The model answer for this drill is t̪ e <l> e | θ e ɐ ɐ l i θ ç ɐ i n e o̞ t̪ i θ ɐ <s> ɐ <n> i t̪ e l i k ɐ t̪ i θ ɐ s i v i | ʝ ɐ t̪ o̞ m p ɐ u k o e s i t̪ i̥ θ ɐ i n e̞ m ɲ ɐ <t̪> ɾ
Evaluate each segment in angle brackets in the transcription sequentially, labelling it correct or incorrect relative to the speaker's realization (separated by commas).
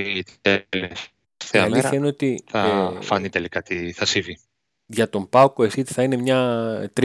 correct, incorrect, correct, correct